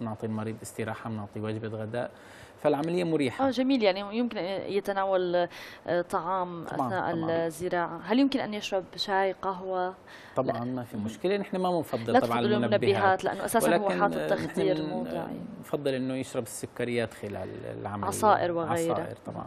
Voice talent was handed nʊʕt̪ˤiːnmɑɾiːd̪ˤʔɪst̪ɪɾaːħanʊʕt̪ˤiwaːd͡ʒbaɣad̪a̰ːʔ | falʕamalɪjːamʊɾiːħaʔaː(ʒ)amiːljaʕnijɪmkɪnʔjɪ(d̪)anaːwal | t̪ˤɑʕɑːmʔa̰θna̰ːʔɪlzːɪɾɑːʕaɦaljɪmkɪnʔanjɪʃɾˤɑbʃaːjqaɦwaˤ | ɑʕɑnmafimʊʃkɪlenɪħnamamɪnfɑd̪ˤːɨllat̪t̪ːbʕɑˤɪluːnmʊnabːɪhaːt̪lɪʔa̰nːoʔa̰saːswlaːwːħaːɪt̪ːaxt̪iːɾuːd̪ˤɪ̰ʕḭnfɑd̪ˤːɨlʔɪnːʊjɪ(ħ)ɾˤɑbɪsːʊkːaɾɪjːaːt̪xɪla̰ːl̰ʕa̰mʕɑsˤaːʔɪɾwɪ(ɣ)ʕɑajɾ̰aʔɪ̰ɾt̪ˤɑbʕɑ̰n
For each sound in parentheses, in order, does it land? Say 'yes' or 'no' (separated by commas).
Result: yes, no, no, yes